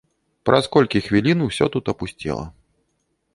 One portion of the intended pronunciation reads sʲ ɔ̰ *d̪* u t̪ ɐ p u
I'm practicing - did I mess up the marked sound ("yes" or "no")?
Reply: yes